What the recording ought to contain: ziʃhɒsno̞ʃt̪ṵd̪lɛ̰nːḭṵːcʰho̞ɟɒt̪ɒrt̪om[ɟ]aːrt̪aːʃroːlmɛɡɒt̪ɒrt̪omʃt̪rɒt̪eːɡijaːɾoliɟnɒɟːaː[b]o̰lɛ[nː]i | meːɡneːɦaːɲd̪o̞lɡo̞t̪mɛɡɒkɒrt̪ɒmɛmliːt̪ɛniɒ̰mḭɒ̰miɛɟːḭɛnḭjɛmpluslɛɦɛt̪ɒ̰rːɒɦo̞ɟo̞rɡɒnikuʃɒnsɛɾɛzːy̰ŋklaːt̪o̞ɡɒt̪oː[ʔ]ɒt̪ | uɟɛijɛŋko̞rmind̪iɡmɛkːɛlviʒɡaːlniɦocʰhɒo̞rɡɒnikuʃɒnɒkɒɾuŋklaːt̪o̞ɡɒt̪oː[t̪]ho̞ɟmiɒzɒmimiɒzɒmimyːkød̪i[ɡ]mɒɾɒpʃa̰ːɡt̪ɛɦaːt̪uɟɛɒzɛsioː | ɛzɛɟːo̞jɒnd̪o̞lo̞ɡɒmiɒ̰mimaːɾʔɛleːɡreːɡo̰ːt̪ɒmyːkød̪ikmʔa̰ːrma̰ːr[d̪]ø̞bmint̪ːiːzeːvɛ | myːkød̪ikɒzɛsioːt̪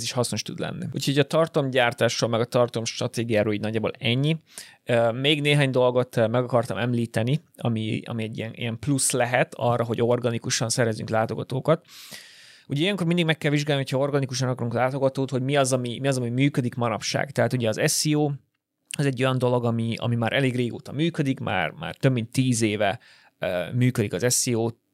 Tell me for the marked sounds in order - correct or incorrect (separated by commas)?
correct, correct, incorrect, incorrect, correct, incorrect, incorrect